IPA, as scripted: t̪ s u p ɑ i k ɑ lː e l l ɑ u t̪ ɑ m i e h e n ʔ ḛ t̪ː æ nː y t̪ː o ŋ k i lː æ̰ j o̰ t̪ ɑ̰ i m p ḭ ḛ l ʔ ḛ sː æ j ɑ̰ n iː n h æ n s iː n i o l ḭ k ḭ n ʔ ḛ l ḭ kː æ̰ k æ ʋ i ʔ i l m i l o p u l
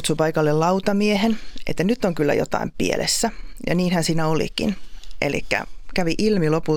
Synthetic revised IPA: t̪ s u p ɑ i k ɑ lː e l l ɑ u t̪ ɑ m i e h e n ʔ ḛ t̪ː æ n y t̪ː o ŋ k y lː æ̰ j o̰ t̪ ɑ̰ i m p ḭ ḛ l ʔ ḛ sː æ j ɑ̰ n iː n h æ n s iː n æ o l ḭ k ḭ n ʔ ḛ l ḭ kː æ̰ k æ ʋ i ʔ i l m i l o p u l